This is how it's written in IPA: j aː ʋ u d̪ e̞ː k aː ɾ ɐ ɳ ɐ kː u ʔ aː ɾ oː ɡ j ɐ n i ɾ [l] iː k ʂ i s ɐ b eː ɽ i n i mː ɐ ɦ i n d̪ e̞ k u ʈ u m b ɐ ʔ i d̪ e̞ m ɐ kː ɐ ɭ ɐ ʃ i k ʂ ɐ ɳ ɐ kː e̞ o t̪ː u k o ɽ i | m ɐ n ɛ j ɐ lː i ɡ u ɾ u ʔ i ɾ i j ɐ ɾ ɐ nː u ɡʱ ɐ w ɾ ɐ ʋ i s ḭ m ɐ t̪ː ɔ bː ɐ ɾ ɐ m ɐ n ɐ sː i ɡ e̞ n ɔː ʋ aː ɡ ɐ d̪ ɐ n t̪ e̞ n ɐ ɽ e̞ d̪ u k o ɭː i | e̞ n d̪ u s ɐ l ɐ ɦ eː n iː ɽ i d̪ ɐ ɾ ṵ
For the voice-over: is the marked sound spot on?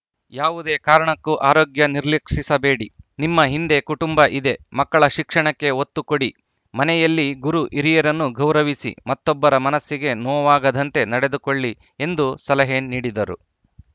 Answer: yes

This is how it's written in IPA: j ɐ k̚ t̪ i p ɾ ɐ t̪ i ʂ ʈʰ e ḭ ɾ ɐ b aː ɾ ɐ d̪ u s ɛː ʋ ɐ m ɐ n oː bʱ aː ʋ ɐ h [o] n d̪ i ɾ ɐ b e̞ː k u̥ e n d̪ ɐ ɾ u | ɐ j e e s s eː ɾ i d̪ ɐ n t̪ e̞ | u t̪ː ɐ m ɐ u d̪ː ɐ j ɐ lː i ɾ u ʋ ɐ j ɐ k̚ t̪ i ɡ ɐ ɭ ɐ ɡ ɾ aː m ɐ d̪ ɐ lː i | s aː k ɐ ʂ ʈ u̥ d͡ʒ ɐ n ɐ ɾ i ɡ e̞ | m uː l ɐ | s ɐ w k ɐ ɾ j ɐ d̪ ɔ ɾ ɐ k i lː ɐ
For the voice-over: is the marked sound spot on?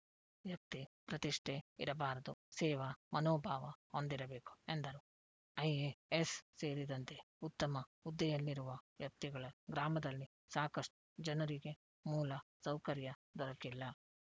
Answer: yes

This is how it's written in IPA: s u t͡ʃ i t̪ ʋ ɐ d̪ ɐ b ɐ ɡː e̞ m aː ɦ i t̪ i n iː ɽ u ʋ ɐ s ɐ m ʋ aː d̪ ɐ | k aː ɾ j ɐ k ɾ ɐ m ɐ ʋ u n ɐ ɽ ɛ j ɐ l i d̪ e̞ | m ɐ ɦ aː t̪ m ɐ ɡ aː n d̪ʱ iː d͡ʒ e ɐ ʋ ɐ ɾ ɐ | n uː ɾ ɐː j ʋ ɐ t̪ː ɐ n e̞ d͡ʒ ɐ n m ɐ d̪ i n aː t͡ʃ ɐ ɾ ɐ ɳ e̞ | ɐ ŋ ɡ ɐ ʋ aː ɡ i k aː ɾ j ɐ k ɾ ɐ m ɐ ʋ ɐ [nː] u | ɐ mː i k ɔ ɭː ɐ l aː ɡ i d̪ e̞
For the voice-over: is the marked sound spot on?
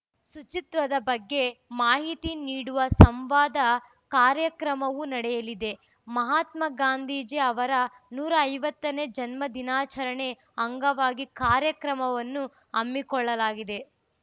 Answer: yes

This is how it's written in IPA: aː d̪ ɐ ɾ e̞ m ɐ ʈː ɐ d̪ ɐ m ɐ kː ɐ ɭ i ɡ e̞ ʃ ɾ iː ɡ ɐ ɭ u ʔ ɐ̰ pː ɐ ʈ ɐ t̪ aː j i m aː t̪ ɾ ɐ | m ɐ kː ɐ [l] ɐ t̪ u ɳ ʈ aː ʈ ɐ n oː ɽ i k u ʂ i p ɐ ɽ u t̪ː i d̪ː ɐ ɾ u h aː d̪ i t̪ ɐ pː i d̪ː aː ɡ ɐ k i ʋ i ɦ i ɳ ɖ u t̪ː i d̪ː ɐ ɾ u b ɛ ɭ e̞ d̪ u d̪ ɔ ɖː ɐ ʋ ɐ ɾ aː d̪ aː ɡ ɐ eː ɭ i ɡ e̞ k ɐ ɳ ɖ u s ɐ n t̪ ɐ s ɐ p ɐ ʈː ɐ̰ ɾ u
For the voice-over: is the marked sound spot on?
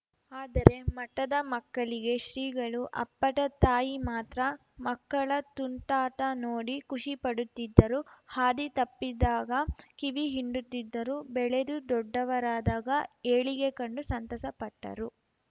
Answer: no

